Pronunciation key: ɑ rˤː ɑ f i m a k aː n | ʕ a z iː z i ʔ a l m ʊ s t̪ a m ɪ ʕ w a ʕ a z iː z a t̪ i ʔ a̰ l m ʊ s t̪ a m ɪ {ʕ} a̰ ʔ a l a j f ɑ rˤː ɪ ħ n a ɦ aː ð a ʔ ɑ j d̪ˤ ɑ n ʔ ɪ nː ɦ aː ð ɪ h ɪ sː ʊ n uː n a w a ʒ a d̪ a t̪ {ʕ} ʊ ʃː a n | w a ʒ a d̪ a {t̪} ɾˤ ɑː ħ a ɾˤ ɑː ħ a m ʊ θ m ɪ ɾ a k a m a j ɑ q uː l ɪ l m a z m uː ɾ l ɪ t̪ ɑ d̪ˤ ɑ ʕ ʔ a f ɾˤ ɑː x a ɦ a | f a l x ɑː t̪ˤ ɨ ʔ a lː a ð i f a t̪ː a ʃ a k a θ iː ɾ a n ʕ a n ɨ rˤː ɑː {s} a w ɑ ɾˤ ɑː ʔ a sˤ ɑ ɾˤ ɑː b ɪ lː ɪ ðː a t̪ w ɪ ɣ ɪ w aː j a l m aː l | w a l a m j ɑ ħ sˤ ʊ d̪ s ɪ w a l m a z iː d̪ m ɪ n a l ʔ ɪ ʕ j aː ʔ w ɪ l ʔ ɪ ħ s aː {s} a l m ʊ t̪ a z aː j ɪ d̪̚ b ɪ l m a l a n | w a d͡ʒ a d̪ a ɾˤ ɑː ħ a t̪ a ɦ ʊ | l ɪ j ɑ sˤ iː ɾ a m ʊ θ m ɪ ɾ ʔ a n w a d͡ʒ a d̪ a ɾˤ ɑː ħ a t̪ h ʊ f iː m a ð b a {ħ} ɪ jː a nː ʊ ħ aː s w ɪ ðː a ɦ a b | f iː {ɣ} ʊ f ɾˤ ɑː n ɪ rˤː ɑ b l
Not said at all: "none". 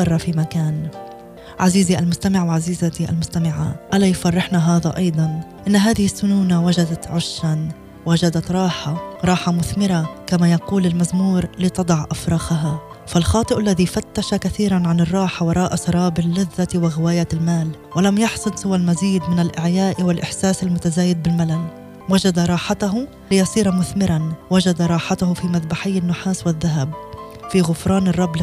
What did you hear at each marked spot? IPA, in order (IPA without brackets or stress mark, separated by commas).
ʕ, ʕ, t̪, ħ, s, ħ, ɣ